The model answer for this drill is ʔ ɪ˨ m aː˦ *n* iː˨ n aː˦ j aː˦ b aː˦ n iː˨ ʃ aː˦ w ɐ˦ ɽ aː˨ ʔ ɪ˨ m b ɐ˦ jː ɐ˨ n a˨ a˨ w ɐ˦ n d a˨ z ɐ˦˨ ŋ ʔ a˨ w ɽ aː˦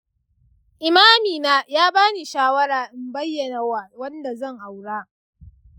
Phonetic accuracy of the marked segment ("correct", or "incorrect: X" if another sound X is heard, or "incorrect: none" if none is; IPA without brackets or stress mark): incorrect: m